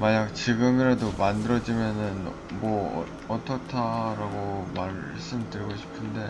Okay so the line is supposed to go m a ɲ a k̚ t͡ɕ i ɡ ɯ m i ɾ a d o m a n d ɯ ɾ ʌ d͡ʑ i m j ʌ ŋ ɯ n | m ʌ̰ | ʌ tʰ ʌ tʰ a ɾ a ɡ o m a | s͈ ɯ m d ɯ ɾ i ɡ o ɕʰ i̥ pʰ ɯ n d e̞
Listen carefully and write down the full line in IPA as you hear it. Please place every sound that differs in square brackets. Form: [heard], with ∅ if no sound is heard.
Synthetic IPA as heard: m a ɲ a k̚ t͡ɕ i ɡ ɯ m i ɾ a d o m a n d ɯ ɾ ʌ d͡ʑ i m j ʌ [n] ɯ n | m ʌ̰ | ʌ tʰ ʌ tʰ a ɾ a ɡ o m a | s͈ ɯ m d ɯ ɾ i ɡ o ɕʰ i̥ pʰ ɯ n d e̞